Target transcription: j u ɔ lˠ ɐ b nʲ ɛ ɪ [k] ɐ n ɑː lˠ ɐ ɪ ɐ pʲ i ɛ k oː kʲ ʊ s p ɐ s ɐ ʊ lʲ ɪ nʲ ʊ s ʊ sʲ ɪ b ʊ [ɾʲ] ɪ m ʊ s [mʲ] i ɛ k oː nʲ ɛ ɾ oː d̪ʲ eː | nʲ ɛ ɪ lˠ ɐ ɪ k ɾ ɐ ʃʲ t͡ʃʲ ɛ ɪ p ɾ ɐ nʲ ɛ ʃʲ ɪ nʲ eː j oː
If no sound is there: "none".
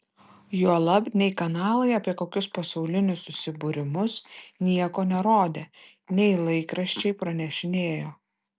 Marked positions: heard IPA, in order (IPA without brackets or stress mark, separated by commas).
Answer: k, ɾʲ, nʲ